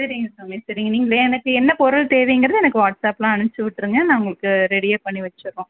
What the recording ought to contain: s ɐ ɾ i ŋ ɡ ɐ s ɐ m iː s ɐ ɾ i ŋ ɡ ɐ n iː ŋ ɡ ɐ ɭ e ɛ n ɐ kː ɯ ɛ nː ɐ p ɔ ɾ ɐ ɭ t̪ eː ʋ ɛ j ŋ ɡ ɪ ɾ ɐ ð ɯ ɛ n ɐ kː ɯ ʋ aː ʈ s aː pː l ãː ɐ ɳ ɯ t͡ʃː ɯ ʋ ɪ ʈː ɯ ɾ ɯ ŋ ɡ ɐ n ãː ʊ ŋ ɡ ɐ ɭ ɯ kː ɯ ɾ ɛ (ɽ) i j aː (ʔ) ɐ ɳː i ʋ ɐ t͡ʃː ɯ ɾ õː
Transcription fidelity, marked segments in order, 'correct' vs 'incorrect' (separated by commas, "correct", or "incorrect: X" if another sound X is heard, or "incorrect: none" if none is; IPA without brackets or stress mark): correct, incorrect: p